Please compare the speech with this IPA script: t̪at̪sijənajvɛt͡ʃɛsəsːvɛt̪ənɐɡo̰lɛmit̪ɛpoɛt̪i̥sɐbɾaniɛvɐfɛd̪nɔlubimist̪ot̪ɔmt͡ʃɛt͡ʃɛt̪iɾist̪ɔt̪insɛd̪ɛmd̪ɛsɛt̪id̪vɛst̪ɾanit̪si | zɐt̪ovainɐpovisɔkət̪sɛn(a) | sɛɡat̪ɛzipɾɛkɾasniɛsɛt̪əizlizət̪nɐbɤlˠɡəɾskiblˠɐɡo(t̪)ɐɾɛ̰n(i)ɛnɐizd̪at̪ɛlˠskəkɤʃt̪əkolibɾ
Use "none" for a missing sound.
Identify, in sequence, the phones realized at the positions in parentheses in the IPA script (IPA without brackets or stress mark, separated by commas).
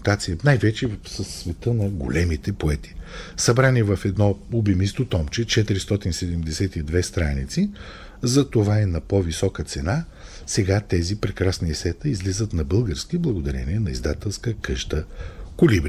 a, d̪, i